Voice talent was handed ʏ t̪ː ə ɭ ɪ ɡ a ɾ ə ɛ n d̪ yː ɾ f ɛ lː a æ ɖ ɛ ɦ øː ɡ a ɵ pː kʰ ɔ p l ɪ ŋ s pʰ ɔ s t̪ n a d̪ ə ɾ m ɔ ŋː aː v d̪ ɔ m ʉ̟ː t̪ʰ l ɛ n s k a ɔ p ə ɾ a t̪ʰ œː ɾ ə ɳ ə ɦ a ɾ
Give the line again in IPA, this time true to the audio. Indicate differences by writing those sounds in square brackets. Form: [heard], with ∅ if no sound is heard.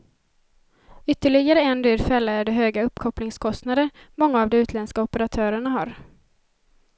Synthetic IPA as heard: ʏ t̪ː ə ɭ ɪ ɡ a ɾ ə ɛ n d̪ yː ɾ f ɛ lː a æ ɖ ɛ ɦ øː ɡ a ɵ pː kʰ ɔ p l ɪ ŋ s [kʰ] ɔ s t̪ n a d̪ ə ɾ m ɔ ŋː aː v d̪ ɔ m ʉ̟ː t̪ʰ l ɛ n s k a ɔ p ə ɾ a t̪ʰ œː ɾ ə ɳ [a] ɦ a ɾ